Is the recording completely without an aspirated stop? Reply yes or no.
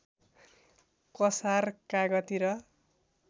yes